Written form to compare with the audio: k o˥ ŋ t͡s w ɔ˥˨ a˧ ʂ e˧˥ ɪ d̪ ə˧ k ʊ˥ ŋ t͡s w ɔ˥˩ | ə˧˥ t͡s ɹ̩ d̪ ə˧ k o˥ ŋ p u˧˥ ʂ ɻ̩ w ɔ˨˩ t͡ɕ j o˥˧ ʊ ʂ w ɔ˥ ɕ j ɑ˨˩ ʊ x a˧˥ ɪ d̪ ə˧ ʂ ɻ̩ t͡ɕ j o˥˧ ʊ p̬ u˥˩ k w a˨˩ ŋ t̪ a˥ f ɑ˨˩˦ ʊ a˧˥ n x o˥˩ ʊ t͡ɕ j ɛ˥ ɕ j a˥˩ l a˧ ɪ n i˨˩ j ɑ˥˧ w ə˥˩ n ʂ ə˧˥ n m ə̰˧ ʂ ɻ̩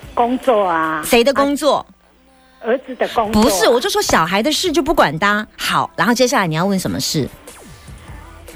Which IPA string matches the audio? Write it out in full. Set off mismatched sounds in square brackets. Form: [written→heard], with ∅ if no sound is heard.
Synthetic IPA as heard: k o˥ ŋ t͡s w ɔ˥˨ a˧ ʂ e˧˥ ɪ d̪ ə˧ k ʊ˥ ŋ t͡s w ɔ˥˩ | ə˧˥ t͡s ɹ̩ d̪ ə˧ k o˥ ŋ p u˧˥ ʂ ɻ̩ w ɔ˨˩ t͡ɕ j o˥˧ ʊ ʂ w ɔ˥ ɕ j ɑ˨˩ ʊ x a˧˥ ɪ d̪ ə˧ ʂ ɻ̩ t͡ɕ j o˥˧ ʊ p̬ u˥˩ k w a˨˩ [ŋ→n] t̪ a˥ [f→x] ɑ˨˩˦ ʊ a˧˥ n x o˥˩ ʊ t͡ɕ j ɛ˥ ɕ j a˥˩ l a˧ ɪ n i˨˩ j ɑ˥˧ w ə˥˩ n ʂ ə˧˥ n m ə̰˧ ʂ ɻ̩